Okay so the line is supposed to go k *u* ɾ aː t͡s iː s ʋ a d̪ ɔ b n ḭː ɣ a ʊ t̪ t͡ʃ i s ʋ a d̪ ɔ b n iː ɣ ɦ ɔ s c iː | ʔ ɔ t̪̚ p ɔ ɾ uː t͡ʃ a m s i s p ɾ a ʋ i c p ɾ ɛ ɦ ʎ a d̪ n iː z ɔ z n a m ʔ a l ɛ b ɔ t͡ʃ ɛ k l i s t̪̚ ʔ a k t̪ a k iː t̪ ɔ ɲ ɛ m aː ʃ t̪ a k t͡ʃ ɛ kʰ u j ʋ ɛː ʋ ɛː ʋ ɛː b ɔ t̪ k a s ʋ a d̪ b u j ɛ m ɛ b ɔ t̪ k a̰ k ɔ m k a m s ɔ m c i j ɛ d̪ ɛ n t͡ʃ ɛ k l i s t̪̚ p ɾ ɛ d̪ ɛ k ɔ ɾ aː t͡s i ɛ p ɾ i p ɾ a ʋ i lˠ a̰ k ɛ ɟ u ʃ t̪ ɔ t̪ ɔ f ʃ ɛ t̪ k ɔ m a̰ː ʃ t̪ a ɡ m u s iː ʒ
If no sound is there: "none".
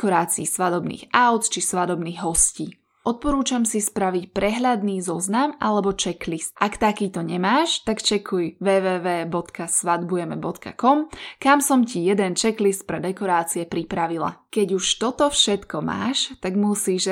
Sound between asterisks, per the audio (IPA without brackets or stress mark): ɔ